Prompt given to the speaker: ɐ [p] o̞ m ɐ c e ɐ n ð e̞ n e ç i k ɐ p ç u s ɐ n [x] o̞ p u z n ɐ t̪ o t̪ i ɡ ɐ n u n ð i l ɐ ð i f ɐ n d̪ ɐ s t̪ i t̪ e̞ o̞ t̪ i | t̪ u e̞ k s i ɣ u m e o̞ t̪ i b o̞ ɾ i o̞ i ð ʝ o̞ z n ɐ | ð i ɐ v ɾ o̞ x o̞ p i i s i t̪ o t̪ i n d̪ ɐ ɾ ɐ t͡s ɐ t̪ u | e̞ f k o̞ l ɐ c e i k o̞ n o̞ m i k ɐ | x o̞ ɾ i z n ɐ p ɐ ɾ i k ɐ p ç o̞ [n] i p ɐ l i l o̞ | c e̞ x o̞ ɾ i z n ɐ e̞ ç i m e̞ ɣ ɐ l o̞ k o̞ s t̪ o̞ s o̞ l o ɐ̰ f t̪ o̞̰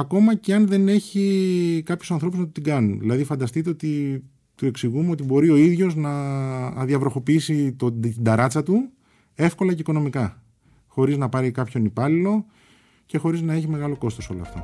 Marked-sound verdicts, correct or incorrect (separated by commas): incorrect, incorrect, correct